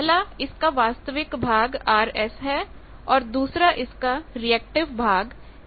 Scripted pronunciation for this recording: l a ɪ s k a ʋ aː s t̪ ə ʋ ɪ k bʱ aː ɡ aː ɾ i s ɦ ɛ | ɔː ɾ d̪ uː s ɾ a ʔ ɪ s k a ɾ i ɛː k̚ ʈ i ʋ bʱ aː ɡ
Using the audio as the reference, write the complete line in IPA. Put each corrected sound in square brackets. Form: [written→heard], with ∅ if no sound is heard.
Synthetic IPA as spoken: l a ɪ s k a ʋ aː s t̪ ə ʋ ɪ k bʱ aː ɡ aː ɾ [i→ɛ] s ɦ ɛ | ɔː ɾ d̪ uː s ɾ a ʔ ɪ s k a ɾ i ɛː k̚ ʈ [i→ɪ] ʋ bʱ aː ɡ

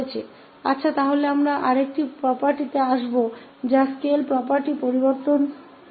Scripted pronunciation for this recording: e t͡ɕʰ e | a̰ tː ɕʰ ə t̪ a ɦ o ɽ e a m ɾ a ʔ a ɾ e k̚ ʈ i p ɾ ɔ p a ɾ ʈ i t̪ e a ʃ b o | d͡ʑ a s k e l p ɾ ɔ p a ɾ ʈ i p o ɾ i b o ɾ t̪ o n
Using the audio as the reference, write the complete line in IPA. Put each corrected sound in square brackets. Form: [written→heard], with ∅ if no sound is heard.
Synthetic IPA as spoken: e t͡ɕʰ e | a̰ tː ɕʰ [ə→a] t̪ a ɦ o [ɽ→l] e a m ɾ a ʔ a ɾ e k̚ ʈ i p ɾ ɔ p a ɾ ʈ i t̪ e a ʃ b o | d͡ʑ a s k e l p ɾ ɔ p a ɾ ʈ i p o ɾ i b o ɾ t̪ o n

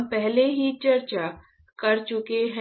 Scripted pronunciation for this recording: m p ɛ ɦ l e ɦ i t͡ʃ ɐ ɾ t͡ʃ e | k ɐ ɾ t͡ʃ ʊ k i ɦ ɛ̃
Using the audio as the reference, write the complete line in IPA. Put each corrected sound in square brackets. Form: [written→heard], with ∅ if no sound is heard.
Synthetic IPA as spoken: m p ɛ ɦ l e ɦ i t͡ʃ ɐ ɾ t͡ʃ [e→a] | k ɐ ɾ t͡ʃ ʊ k [i→e] ɦ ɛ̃

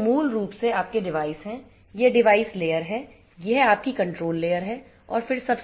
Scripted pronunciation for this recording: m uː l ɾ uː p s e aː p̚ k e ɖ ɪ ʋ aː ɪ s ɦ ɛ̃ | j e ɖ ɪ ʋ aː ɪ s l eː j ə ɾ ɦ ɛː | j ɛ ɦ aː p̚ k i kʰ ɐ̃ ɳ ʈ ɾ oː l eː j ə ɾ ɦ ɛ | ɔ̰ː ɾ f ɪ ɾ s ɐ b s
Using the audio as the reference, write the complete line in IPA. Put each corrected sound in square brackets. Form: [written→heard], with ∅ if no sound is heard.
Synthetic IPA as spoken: m uː l ɾ uː p s e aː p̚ k e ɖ ɪ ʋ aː ɪ s ɦ ɛ̃ | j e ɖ ɪ ʋ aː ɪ s l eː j ə ɾ ɦ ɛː | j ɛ ɦ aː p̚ k i [kʰ→k] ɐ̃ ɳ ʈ ɾ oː [l→lː] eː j ə ɾ ɦ ɛ | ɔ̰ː ɾ f ɪ ɾ s ɐ b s

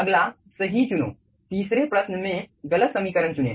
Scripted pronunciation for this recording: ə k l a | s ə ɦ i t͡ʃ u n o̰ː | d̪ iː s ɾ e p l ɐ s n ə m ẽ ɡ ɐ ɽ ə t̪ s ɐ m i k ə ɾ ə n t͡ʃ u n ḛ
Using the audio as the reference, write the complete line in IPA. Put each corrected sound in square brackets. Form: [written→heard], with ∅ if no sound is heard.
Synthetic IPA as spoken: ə [k→ɡ] l a | s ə ɦ i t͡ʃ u n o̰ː | [d̪→t̪] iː s ɾ e p [l→ɾ] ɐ s n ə m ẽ ɡ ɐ [ɽ→l] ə t̪ s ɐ m i k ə ɾ ə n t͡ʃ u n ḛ

